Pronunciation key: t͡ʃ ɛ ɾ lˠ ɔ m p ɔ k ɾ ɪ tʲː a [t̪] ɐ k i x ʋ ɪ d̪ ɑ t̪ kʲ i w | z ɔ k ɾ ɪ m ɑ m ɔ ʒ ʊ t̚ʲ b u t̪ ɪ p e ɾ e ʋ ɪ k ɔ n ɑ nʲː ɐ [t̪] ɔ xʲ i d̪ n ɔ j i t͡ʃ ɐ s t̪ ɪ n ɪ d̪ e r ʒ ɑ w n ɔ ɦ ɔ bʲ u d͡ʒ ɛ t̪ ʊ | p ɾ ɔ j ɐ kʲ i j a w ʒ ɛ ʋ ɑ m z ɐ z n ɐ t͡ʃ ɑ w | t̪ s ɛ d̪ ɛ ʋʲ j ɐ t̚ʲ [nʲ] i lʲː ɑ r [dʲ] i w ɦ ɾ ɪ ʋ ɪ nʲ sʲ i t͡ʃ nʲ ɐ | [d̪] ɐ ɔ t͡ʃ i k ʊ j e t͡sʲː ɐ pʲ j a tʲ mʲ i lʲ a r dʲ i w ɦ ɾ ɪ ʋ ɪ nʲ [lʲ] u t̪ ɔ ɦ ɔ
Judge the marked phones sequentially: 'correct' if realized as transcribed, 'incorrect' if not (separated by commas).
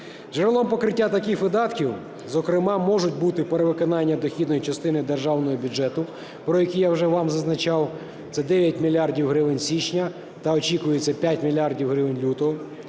correct, incorrect, incorrect, correct, incorrect, correct